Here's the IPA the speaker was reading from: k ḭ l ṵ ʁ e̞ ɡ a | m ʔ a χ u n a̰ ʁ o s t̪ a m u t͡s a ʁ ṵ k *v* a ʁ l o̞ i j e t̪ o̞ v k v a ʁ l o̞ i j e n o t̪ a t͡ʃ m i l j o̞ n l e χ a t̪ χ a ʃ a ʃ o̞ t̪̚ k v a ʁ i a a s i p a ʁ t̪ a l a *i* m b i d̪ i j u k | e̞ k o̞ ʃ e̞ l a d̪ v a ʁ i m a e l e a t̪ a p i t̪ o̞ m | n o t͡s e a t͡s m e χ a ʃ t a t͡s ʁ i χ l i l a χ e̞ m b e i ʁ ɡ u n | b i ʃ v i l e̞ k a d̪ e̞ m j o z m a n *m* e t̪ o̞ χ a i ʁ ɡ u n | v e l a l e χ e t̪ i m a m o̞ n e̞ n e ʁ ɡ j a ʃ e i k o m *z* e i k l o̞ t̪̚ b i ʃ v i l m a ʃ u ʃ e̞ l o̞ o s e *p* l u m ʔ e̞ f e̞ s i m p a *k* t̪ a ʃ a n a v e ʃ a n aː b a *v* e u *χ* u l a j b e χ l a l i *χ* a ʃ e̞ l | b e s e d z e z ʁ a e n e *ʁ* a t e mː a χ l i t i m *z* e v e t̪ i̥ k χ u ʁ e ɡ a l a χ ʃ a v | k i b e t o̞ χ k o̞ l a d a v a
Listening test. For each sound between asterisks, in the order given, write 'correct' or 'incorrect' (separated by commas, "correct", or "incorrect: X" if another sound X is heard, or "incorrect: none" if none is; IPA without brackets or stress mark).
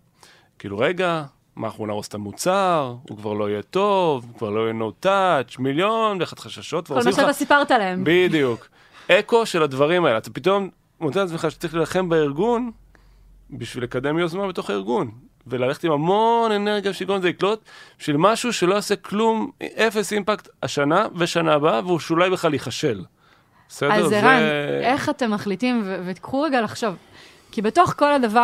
correct, incorrect: e, incorrect: b, correct, incorrect: k, correct, correct, incorrect: ʃ, correct, incorrect: χ, incorrect: v